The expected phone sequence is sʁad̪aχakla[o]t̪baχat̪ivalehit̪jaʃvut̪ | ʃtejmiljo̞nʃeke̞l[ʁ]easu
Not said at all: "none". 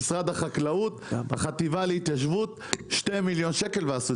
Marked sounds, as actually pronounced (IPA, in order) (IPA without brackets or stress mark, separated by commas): u, v